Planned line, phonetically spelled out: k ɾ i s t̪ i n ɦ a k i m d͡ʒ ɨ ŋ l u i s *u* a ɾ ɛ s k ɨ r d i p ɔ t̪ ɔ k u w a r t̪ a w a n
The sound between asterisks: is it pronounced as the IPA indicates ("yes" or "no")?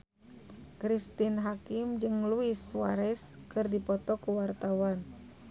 no